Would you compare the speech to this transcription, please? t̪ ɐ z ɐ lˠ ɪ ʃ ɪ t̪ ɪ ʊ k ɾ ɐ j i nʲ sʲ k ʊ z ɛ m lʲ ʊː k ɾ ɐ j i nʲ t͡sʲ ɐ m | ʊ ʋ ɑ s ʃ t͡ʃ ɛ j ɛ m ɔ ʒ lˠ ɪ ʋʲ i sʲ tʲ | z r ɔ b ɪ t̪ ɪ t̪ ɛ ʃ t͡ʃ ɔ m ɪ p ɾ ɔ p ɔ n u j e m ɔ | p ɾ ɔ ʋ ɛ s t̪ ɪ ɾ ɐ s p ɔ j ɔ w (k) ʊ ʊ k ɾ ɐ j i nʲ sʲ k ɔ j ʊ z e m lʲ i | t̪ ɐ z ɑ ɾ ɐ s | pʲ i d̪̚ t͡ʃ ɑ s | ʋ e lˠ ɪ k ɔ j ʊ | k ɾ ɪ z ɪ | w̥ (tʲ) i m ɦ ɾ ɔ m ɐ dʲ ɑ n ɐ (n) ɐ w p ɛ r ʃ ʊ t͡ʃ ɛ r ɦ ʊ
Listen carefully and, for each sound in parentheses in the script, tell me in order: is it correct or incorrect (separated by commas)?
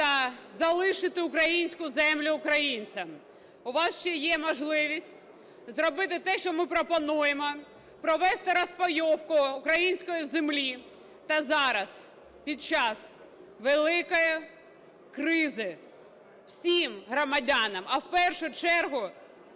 correct, incorrect, incorrect